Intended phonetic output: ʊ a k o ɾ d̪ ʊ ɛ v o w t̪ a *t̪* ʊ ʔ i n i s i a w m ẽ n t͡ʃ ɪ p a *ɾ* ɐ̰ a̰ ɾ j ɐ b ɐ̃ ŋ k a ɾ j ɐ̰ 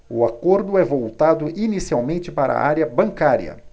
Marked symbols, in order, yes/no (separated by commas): no, yes